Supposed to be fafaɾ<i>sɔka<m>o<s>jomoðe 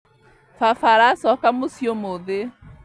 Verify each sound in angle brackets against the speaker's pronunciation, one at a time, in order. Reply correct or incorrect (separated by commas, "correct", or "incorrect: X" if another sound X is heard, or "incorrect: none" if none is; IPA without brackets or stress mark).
incorrect: a, correct, correct